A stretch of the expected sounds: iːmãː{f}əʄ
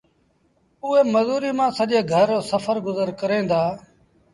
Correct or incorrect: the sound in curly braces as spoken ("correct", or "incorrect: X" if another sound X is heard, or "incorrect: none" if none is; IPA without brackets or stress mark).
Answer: incorrect: s